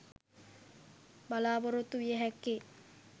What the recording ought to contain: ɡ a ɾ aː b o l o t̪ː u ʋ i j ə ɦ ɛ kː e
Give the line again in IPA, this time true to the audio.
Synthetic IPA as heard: b a l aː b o ɾ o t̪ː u ʋ i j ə ɦ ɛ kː e